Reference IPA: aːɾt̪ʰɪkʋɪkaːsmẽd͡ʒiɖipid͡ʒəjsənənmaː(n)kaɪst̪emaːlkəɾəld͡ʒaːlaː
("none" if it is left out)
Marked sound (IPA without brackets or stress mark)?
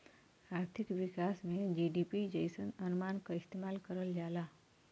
n